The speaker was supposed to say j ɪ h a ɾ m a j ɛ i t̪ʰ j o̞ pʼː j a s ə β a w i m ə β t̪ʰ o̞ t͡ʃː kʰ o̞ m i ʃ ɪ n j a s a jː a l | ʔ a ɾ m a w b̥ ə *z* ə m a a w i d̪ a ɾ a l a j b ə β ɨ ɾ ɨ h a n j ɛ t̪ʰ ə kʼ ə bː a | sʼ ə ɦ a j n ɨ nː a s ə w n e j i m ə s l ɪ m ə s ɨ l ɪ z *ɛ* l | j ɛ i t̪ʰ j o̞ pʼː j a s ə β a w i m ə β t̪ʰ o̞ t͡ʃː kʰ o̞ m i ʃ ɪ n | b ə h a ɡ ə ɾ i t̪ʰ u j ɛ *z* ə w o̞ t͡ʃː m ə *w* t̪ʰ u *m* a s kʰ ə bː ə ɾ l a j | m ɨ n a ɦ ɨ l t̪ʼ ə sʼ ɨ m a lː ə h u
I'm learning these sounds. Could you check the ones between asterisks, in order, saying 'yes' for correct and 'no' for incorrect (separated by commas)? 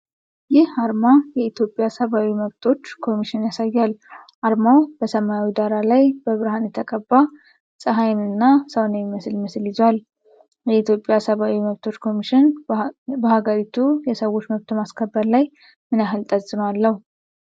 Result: no, no, no, no, yes